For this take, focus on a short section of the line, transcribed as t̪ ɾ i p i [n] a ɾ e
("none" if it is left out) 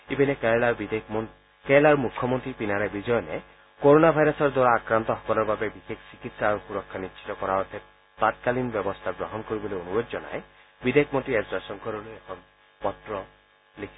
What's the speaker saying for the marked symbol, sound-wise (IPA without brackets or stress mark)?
n